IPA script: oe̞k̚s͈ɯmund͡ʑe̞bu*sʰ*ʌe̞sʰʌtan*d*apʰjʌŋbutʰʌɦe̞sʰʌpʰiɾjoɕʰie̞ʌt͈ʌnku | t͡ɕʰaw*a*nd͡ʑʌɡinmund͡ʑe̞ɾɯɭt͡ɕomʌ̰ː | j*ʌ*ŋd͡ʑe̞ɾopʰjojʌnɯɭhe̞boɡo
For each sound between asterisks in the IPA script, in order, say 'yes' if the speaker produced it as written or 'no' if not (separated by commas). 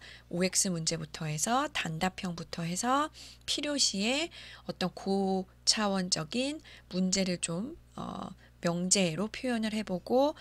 no, yes, no, yes